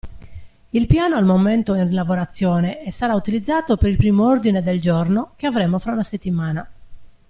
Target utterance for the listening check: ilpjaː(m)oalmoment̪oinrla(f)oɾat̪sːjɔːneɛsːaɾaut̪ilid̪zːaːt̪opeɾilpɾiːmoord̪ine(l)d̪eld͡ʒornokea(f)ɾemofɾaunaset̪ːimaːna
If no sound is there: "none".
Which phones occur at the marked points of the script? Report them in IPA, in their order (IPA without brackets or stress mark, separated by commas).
n, v, none, v